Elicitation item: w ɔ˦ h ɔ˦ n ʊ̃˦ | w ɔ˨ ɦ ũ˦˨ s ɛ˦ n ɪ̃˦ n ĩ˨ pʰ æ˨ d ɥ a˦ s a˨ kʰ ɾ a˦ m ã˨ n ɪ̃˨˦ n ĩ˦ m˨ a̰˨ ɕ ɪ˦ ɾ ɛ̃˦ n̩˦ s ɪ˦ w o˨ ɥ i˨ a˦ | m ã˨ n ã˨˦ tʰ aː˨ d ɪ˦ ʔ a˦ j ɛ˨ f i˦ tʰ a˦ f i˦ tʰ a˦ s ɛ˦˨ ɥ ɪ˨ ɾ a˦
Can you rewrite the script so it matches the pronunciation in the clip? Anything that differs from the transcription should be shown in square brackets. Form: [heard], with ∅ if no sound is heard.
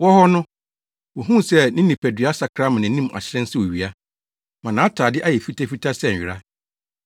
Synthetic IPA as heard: w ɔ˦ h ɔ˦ n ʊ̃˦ | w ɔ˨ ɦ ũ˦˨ s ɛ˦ n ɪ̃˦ n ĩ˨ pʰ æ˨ d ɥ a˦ s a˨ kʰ ɾ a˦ m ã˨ n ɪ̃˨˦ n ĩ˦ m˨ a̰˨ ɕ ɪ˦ ɾ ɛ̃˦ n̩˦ s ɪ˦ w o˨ ɥ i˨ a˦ | m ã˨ n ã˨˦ tʰ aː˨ d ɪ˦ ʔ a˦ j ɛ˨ f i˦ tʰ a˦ f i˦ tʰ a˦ s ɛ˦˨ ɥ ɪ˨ ɾ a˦